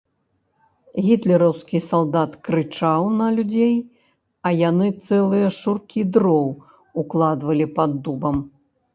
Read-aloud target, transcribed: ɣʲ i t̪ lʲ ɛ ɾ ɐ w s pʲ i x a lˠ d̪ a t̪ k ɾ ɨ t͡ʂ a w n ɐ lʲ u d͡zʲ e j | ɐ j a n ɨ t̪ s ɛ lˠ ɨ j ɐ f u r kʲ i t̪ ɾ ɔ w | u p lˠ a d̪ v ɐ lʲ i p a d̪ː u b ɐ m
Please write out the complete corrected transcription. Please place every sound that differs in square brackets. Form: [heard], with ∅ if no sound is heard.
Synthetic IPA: ɣʲ i t̪ lʲ ɛ ɾ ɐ w s [kʲ] i [s] a lˠ d̪ a t̪ k ɾ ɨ t͡ʂ a w n ɐ lʲ u d͡zʲ e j | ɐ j a n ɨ t̪ s ɛ lˠ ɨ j ɐ [ʂ] u r kʲ i [d̪] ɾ ɔ w | u [k] lˠ a d̪ v ɐ lʲ i p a d̪ː u b ɐ m

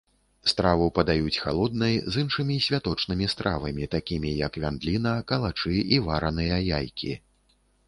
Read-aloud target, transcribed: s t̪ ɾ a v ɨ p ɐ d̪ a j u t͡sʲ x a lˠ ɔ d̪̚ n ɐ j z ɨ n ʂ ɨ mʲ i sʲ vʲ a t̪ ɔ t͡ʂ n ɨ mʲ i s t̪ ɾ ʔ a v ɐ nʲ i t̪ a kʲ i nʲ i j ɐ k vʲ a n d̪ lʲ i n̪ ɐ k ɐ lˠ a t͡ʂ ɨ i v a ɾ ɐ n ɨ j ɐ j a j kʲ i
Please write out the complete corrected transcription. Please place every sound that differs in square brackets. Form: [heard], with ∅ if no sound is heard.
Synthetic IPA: s t̪ ɾ a v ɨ p ɐ d̪ a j u t͡sʲ x a lˠ ɔ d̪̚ n ɐ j z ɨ n ʂ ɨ mʲ i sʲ vʲ a t̪ ɔ t͡ʂ n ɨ mʲ i s t̪ ɾ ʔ a v ɐ [mʲ] i t̪ a kʲ i [mʲ] i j ɐ k vʲ a n d̪ lʲ i n̪ ɐ k ɐ lˠ a t͡ʂ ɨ i v a ɾ ɐ n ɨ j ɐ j a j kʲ i

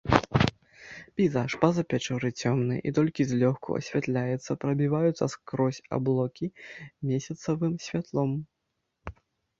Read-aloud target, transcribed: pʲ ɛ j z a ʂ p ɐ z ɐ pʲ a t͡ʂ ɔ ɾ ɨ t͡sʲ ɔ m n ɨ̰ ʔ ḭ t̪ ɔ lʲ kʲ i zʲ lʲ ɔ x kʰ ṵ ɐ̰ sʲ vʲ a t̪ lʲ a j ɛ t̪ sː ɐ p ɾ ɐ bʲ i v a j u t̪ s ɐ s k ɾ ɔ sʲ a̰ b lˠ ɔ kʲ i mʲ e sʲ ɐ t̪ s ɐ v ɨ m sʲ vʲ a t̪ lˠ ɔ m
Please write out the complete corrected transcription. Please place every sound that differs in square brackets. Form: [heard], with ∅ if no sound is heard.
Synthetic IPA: pʲ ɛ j z a ʂ p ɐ z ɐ pʲ a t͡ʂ ɔ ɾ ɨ t͡sʲ ɔ m n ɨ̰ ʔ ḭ t̪ ɔ lʲ kʲ i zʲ lʲ ɔ x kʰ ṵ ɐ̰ sʲ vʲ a t̪ lʲ a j ɛ t̪ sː ɐ p ɾ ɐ bʲ i v a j u t̪ s ɐ s k ɾ ɔ sʲ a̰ b lˠ ɔ kʲ i mʲ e sʲ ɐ t̪ s ɐ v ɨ m sʲ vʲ a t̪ lˠ ɔ m

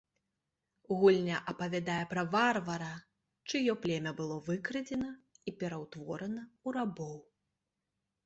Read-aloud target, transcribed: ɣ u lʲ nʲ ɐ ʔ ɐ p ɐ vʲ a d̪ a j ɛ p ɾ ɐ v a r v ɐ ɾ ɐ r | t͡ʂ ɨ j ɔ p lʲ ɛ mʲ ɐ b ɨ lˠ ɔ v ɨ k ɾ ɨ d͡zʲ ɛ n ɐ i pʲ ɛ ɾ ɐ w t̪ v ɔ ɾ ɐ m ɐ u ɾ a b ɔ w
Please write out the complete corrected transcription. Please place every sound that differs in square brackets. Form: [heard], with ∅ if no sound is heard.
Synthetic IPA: ɣ u lʲ nʲ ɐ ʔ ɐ p ɐ vʲ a d̪ a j ɛ p ɾ ɐ v a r v ɐ ɾ ɐ [∅] | t͡ʂ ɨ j ɔ p lʲ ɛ mʲ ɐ b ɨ lˠ ɔ v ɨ k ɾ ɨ d͡zʲ ɛ n ɐ i pʲ ɛ ɾ ɐ w t̪ v ɔ ɾ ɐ [n] ɐ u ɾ a b ɔ w

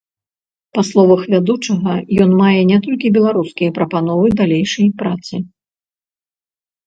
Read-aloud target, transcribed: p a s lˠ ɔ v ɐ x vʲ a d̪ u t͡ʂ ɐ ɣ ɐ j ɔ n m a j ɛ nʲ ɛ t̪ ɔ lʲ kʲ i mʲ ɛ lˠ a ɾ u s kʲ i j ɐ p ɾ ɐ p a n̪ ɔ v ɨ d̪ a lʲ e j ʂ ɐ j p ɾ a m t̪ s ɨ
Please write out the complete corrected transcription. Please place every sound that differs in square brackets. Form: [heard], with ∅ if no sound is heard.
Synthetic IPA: p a s lˠ ɔ v ɐ x vʲ a d̪ u t͡ʂ ɐ ɣ ɐ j ɔ n m a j ɛ nʲ ɛ t̪ ɔ lʲ kʲ i [bʲ] ɛ lˠ a ɾ u s kʲ i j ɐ p ɾ ɐ p a n̪ ɔ v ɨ d̪ a lʲ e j ʂ ɐ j p ɾ a [∅] t̪ s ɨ

